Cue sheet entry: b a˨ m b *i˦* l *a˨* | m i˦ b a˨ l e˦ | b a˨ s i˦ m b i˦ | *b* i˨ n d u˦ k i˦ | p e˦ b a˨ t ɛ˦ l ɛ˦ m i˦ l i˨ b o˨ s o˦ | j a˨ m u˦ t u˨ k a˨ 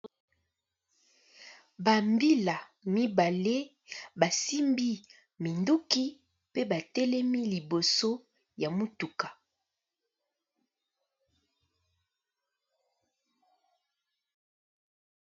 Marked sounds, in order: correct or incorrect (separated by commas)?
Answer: correct, correct, incorrect